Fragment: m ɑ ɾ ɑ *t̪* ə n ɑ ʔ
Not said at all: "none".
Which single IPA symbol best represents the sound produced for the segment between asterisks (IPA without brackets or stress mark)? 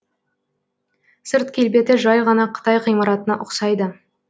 t̪